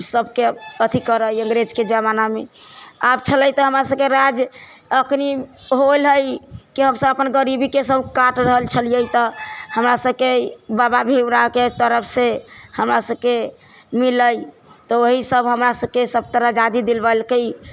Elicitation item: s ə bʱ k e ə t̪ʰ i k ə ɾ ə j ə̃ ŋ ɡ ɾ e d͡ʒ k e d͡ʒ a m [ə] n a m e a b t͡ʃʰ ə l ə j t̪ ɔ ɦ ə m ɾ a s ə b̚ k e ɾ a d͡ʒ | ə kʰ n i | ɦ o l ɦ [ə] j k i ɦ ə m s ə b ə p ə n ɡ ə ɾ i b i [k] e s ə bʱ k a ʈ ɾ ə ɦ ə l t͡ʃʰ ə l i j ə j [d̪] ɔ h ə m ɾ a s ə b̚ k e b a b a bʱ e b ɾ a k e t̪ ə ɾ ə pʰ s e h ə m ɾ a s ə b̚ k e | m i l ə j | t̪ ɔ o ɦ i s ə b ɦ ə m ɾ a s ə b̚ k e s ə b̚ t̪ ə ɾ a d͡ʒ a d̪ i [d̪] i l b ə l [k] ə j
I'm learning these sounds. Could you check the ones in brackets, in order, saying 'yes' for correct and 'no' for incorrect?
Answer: no, yes, yes, no, yes, yes

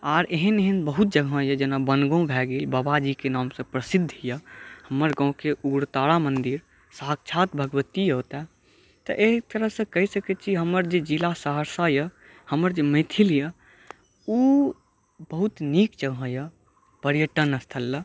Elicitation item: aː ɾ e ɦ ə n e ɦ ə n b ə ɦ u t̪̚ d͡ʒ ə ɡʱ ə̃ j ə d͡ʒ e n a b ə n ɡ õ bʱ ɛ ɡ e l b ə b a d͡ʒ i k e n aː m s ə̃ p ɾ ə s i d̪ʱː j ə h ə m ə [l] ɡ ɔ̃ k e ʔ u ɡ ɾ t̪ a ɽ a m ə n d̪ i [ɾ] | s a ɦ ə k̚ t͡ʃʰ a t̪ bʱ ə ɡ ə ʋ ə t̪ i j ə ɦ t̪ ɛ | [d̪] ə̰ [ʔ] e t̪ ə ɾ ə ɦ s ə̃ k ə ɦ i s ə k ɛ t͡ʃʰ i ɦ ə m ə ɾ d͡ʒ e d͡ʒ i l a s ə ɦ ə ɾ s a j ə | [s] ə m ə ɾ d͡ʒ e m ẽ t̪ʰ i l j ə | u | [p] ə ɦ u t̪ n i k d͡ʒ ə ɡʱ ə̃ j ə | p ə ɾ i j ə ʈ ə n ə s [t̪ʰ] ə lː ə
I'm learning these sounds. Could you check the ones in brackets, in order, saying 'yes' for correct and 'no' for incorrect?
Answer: no, yes, no, yes, no, no, yes

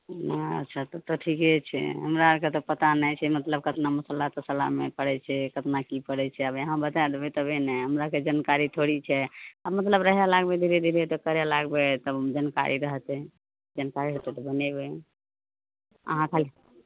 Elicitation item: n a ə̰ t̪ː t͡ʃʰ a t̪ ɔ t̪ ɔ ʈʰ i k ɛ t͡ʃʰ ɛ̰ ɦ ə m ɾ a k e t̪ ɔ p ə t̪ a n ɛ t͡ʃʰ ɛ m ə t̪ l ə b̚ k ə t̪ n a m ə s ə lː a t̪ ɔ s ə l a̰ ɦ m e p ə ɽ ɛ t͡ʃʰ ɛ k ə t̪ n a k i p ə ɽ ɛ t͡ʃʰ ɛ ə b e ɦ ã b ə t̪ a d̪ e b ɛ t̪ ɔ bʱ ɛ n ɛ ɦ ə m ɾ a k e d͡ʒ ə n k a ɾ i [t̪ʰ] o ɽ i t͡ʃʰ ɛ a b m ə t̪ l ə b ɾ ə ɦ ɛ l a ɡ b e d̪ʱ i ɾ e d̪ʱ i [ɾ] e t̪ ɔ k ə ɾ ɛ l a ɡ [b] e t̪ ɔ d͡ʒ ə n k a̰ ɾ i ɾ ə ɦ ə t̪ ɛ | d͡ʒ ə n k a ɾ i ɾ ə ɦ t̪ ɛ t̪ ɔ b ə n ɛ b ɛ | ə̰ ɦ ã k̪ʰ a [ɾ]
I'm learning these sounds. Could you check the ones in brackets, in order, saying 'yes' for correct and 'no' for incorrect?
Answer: yes, yes, yes, no

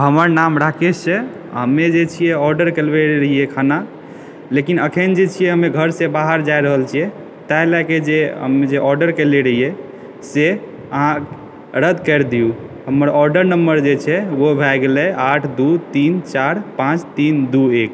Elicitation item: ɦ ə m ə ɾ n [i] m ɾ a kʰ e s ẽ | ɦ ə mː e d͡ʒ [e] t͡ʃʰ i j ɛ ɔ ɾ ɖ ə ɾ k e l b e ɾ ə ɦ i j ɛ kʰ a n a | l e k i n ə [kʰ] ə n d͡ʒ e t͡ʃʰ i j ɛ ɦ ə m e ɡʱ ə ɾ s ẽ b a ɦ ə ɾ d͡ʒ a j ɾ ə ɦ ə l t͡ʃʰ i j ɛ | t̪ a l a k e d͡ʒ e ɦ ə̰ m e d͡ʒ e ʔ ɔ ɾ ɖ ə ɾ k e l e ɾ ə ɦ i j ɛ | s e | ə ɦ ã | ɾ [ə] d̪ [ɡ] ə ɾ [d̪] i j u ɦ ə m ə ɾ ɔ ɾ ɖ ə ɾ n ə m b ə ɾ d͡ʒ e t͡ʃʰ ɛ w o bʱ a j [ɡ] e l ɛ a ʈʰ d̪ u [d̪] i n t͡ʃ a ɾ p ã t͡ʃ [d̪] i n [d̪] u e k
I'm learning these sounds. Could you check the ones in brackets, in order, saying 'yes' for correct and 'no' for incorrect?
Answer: no, yes, yes, yes, no, yes, yes, no, no, yes

